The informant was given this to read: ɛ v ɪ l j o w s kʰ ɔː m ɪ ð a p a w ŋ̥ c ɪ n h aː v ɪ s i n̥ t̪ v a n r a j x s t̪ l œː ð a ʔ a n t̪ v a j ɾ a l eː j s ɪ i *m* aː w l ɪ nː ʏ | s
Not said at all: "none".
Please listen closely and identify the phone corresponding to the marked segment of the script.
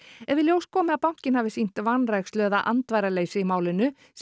m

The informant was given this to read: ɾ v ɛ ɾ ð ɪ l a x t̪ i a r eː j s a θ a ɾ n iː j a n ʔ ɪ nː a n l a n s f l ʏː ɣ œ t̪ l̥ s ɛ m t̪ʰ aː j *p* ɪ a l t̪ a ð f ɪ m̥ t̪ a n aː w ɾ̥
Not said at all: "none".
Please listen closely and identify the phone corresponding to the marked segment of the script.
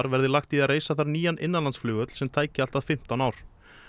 c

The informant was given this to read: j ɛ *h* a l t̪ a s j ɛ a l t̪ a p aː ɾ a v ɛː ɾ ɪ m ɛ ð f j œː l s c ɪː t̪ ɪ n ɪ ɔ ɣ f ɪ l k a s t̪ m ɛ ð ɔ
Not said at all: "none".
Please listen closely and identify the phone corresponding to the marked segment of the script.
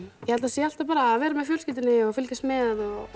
h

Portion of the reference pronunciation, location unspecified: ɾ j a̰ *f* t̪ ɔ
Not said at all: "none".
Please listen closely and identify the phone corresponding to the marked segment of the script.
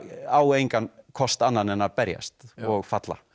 s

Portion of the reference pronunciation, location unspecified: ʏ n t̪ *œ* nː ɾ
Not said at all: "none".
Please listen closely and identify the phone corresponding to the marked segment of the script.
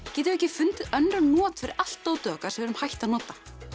œ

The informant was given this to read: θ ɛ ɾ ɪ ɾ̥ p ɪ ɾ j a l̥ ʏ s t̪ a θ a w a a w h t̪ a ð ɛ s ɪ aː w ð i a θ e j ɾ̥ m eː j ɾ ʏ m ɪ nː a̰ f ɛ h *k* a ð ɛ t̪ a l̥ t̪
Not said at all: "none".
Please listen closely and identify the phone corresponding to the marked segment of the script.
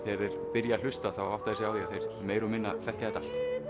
c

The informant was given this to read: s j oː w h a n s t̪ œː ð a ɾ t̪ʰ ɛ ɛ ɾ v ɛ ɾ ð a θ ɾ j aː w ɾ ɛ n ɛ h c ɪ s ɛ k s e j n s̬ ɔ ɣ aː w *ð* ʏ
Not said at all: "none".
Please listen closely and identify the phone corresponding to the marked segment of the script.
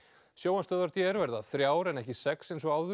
ð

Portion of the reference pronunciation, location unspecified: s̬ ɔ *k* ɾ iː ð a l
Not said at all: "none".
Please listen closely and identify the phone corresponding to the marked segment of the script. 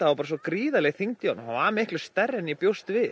k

